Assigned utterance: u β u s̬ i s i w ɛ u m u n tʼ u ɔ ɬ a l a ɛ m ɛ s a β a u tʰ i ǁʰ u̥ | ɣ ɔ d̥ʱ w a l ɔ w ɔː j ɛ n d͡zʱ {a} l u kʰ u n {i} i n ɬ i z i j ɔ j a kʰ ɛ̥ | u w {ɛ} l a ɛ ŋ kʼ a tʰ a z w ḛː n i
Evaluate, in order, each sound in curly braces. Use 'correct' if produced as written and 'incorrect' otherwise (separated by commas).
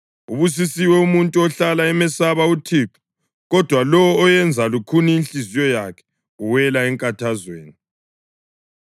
correct, correct, correct